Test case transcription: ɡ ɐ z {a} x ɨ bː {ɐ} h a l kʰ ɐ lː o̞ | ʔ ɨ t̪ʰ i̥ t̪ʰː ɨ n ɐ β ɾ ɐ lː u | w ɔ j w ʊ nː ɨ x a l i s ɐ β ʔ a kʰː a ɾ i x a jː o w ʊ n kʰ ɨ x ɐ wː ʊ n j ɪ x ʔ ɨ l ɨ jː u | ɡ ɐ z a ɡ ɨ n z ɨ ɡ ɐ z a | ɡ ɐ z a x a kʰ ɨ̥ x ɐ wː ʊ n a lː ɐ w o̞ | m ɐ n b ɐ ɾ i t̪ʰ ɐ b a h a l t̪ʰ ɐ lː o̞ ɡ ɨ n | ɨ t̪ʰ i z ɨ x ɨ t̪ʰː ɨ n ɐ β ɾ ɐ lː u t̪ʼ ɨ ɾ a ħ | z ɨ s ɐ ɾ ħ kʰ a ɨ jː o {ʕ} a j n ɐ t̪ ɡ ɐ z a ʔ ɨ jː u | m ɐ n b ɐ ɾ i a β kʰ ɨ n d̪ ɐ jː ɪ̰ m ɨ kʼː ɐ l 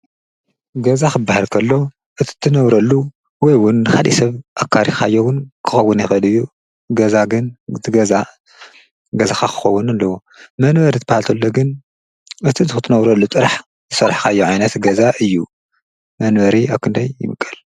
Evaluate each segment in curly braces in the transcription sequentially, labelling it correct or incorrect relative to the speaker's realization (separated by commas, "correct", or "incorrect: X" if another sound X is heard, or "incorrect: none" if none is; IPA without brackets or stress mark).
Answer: correct, incorrect: a, correct